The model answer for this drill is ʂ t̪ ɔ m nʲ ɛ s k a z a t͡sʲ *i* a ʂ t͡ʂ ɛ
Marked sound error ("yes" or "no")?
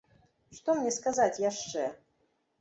yes